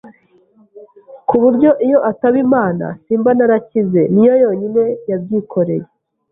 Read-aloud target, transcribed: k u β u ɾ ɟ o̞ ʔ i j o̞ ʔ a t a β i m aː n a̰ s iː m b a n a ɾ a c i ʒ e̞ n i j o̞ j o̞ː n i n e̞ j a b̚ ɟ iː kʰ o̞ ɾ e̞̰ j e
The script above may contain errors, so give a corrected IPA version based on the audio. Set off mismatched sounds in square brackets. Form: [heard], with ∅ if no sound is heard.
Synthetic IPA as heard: k u β u ɾ ɟ o̞ ʔ i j o̞ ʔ a t a β i m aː n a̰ s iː m b a n a ɾ a c i [z] e̞ n i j o̞ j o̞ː [ɲ] i n e̞ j a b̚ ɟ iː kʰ o̞ ɾ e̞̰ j e